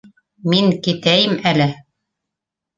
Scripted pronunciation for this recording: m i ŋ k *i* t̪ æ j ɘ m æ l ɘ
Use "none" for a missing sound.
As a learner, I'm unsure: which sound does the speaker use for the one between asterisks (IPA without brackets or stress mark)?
i